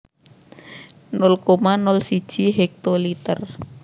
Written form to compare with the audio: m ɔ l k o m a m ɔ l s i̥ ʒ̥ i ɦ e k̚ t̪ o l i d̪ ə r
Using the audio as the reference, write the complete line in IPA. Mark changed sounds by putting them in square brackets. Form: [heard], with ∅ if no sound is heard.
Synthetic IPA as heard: [n] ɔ l k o m a [n] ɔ l s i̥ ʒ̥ i ɦ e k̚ t̪ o l i [t̪] ə r